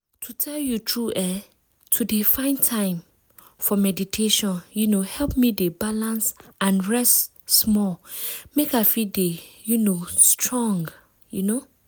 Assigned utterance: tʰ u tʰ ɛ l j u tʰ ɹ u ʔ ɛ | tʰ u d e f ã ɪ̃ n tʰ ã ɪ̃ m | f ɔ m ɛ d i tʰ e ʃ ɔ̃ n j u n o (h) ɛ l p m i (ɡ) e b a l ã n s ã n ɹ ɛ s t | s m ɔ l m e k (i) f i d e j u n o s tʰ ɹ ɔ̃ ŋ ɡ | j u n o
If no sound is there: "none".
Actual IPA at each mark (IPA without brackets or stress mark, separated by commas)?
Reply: h, d, a